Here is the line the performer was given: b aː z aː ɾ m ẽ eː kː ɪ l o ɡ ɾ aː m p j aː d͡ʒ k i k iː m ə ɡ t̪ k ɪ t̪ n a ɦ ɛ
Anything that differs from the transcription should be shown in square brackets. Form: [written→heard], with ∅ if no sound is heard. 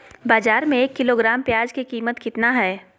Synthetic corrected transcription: b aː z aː ɾ m ẽ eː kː ɪ l o ɡ ɾ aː m p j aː d͡ʒ k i k iː m ə [ɡ→∅] t̪ k ɪ t̪ n a ɦ [ɛ→ɛː]